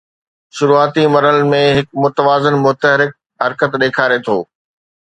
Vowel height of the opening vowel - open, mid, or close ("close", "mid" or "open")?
close